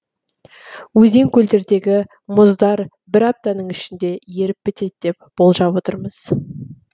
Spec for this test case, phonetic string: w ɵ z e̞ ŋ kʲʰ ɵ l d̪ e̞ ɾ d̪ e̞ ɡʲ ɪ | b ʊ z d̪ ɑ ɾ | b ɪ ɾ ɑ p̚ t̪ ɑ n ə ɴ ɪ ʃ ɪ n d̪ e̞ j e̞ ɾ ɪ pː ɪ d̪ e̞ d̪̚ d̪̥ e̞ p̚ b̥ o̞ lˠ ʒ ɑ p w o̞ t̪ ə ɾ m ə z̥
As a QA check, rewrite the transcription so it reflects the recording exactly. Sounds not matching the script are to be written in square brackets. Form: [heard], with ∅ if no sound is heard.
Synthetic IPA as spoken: w ɵ z e̞ ŋ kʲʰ ɵ l d̪ e̞ ɾ d̪ e̞ ɡʲ ɪ | [m] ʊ z d̪ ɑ ɾ | b ɪ ɾ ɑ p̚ t̪ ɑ n ə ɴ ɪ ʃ ɪ n d̪ e̞ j e̞ ɾ ɪ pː ɪ [t̪] e̞ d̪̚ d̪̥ e̞ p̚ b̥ o̞ lˠ ʒ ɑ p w o̞ t̪ ə ɾ m ə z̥

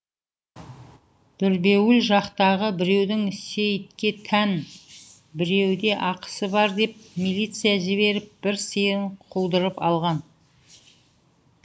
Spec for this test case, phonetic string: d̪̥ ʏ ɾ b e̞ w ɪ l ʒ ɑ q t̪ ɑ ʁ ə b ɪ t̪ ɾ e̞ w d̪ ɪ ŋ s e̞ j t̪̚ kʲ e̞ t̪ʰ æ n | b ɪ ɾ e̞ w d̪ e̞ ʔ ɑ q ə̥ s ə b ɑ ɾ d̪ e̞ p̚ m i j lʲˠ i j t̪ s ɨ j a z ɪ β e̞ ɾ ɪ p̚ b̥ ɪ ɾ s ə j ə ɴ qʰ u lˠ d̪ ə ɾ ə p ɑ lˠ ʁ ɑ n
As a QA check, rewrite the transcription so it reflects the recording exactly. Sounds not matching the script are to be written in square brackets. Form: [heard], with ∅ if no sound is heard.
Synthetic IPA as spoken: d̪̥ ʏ ɾ b e̞ w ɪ l ʒ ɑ q t̪ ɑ ʁ ə b ɪ [∅] ɾ e̞ w d̪ ɪ ŋ s e̞ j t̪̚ kʲ e̞ t̪ʰ æ n | b ɪ ɾ e̞ w d̪ e̞ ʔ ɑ q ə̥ s ə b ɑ ɾ d̪ e̞ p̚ m i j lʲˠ i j t̪ s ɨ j a [ʒ] ɪ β e̞ ɾ ɪ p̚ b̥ ɪ ɾ s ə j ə ɴ qʰ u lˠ d̪ ə ɾ ə p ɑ lˠ ʁ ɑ n

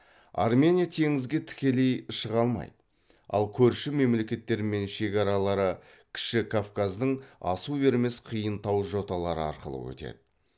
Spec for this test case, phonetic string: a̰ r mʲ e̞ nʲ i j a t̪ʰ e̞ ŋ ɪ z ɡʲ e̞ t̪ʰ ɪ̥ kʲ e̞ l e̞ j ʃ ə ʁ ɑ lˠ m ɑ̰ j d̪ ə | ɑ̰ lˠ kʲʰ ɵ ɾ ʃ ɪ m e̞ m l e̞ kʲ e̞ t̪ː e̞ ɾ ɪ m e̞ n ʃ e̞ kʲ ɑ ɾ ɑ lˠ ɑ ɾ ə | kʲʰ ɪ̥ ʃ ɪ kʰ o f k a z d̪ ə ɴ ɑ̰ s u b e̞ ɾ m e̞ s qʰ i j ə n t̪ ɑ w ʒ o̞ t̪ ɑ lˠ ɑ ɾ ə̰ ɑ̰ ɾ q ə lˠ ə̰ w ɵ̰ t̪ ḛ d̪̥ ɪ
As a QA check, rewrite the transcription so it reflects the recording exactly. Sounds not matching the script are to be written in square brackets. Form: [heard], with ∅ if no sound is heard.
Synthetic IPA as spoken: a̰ r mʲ e̞ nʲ i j a t̪ʰ e̞ ŋ ɪ z ɡʲ e̞ t̪ʰ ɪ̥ kʲ e̞ l e̞ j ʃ ə ʁ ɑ lˠ m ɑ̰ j d̪ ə | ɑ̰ lˠ kʲʰ ɵ ɾ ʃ ɪ m e̞ m l e̞ kʲ e̞ t̪ː e̞ ɾ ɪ m e̞ n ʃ e̞ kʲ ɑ ɾ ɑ lˠ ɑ ɾ ə | kʲʰ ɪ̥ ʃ ɪ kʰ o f k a z d̪ ə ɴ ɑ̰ s u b e̞ ɾ m e̞ s qʰ i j ə n t̪ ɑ w ʒ o̞ t̪ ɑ lˠ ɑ ɾ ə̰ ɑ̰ ɾ q ə lˠ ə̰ w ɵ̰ t̪ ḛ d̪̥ ɪ

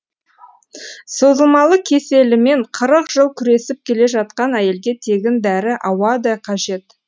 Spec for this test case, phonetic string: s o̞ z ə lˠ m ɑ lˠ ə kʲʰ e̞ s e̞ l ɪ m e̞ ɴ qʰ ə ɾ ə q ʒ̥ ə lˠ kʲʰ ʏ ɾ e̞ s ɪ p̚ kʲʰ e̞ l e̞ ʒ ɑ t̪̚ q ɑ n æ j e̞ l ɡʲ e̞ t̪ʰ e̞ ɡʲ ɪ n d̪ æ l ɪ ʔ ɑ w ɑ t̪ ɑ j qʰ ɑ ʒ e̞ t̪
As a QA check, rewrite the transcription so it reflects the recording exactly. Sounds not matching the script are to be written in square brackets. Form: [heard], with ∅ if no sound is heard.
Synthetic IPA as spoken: s o̞ z ə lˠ m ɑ lˠ ə kʲʰ e̞ s e̞ l ɪ m e̞ ɴ qʰ ə ɾ ə q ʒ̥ ə lˠ kʲʰ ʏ ɾ e̞ s ɪ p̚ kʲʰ e̞ l e̞ ʒ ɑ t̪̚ q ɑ n æ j e̞ l ɡʲ e̞ t̪ʰ e̞ ɡʲ ɪ n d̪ æ [ɾ] ɪ ʔ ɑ w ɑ [d̪] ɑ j qʰ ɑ ʒ e̞ t̪

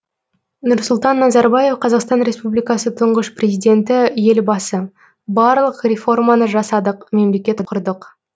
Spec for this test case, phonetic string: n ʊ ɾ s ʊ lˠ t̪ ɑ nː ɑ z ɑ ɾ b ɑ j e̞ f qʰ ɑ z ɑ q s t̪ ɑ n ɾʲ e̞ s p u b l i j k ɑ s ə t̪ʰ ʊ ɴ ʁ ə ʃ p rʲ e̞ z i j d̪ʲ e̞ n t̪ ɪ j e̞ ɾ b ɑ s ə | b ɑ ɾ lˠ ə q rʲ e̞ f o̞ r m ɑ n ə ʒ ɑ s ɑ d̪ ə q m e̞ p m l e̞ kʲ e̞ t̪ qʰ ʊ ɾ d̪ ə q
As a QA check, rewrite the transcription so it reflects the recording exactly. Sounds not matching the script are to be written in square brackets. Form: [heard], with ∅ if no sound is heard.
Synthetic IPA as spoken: n ʊ ɾ s ʊ lˠ t̪ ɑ nː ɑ z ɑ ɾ b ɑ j e̞ f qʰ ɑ z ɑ q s t̪ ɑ n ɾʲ e̞ s p u b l i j k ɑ s ə t̪ʰ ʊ ɴ ʁ ə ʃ p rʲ e̞ z i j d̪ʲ e̞ n t̪ ɪ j e̞ [l] b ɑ s ə | b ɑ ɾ lˠ ə q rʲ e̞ f o̞ r m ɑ n ə ʒ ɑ s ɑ d̪ ə q m e̞ [∅] m l e̞ kʲ e̞ t̪ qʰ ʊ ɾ d̪ ə q

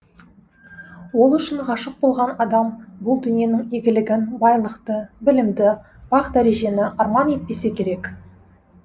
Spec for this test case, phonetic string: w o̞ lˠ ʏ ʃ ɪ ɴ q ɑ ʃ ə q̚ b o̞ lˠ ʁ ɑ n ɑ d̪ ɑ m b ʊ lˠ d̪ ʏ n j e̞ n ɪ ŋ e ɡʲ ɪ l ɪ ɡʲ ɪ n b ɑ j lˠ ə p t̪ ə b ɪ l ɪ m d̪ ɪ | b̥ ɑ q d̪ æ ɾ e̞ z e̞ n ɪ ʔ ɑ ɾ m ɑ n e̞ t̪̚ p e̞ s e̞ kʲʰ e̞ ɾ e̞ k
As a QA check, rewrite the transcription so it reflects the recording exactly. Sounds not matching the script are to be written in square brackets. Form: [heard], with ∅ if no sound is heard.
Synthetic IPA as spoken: w o̞ lˠ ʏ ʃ ɪ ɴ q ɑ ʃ ə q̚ b o̞ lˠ ʁ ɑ n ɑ d̪ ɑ m b ʊ lˠ d̪ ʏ n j e̞ n ɪ ŋ e ɡʲ ɪ l ɪ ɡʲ ɪ n b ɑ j lˠ ə [q] t̪ ə b ɪ l ɪ m d̪ ɪ | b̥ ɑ q d̪ æ ɾ e̞ [ʒ] e̞ n ɪ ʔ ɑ ɾ m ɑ n e̞ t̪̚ p e̞ s e̞ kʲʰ e̞ ɾ e̞ k

